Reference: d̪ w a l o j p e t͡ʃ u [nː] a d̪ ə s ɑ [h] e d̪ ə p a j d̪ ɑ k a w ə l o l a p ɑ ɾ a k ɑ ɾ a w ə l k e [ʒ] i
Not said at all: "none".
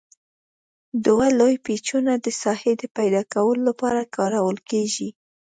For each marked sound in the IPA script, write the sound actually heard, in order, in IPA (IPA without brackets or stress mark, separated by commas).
n, h, ʒ